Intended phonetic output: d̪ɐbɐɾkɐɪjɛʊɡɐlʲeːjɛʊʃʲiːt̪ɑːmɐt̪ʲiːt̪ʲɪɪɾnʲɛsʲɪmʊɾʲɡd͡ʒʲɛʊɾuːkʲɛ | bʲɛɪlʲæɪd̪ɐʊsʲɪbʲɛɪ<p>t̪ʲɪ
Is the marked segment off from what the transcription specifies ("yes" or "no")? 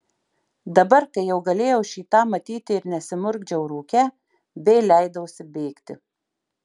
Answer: yes